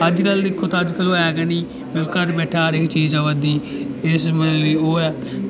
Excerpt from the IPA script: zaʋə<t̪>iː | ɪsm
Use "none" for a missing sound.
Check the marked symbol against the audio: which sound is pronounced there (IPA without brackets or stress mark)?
d̪